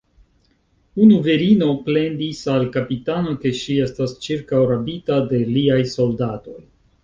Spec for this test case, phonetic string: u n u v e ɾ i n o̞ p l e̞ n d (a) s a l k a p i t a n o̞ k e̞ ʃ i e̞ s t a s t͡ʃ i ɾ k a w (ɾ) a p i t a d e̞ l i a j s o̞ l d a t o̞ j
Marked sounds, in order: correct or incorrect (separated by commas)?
incorrect, correct